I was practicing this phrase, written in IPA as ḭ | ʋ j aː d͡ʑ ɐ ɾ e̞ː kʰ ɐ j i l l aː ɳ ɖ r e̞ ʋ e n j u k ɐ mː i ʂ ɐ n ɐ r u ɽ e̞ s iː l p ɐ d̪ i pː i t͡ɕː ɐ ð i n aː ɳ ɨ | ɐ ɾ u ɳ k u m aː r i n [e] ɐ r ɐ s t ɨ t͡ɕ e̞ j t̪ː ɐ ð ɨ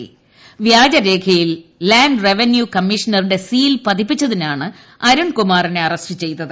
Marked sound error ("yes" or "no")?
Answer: no